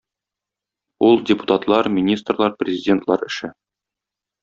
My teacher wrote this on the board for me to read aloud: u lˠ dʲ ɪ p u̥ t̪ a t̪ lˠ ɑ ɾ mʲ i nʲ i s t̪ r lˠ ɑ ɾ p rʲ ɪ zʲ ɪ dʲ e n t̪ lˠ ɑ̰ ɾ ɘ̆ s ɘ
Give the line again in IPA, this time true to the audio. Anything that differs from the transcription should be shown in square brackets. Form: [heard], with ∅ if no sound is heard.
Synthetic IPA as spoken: u lˠ dʲ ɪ p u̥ t̪ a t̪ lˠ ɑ ɾ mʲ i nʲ i s t̪ r lˠ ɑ ɾ p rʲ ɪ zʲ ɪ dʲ e n t̪ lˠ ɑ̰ ɾ ɘ̆ [ʃ] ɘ